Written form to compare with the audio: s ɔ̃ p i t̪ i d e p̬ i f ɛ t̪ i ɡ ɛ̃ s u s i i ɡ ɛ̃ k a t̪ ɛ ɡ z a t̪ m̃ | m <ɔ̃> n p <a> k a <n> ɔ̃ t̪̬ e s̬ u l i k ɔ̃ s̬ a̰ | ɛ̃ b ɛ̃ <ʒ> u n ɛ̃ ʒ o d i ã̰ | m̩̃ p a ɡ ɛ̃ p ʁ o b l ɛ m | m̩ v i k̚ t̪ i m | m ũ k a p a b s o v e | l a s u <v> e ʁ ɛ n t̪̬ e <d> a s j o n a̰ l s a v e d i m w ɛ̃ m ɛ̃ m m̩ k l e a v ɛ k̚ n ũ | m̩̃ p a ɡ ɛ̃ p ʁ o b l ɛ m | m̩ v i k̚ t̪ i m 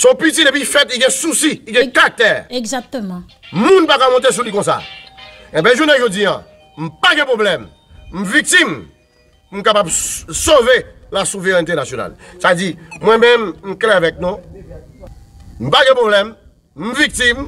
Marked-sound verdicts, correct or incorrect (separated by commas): incorrect, correct, incorrect, correct, correct, incorrect